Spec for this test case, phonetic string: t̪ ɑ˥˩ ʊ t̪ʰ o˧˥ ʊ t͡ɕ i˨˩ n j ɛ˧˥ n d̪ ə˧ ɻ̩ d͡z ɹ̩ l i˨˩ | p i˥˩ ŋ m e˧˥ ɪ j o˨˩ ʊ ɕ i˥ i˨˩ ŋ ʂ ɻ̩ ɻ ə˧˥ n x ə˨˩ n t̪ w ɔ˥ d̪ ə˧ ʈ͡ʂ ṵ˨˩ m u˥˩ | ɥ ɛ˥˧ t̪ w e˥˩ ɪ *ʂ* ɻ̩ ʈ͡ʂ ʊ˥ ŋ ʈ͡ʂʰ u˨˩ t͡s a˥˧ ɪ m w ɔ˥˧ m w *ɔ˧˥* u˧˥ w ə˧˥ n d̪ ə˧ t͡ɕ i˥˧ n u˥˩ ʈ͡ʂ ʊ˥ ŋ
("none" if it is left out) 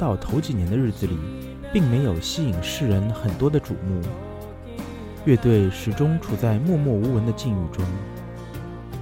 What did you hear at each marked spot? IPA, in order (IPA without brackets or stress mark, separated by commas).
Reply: ʂ, ɔ˥˩